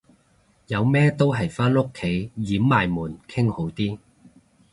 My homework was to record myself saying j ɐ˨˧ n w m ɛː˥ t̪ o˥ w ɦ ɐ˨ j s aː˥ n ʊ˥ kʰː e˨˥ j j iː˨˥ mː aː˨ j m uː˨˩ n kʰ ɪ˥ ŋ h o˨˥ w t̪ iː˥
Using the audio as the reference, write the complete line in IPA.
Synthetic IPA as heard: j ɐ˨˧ w m ɛː˥ t̪ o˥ w ɦ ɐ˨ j f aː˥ n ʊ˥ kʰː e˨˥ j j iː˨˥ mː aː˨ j m uː˨˩ n kʰ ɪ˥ ŋ h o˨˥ w t̪ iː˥

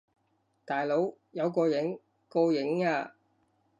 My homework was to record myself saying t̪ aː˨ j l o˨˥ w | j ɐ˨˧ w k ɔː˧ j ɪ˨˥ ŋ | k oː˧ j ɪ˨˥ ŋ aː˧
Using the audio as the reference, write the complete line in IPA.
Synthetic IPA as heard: t̪ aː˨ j l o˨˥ w | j ɐ˨˧ w k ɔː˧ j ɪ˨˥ ŋ | k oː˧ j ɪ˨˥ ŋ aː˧

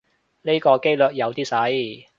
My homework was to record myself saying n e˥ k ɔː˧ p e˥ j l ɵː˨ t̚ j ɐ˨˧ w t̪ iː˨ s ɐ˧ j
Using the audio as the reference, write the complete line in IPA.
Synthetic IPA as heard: n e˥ k ɔː˧ k e˥ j l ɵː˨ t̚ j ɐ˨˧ w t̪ iː˥ s ɐ˨˥ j

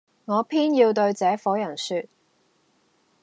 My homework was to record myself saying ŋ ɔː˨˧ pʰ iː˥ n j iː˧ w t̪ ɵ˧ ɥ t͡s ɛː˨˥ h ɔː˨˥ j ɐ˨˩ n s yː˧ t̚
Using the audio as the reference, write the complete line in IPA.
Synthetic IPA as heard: ŋ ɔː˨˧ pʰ iː˥ n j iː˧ w t̪ ɵ˧ ɥ t͡s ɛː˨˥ f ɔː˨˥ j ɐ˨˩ n s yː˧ t̚

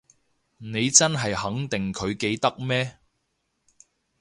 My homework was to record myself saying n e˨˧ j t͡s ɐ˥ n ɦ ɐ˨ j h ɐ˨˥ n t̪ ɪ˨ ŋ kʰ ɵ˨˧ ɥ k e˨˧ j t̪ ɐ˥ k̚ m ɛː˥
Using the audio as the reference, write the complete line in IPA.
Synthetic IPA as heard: n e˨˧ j t͡s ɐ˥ n ɦ ɐ˨ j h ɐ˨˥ ŋ t̪ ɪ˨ ŋ kʰ ɵ˨˧ ɥ k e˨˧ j t̪ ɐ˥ k̚ m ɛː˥

